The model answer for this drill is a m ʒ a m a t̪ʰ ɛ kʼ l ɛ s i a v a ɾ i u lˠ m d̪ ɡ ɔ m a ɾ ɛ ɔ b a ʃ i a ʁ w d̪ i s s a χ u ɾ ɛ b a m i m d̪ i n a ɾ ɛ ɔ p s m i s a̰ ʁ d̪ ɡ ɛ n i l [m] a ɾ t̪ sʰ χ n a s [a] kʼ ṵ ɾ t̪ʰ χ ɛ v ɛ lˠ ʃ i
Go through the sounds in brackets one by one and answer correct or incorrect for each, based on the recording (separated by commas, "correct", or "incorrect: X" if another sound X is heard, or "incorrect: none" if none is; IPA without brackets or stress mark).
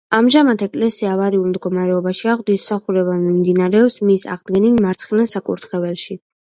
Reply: correct, correct